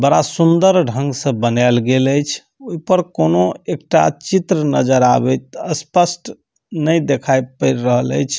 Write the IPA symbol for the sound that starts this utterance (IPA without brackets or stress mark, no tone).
b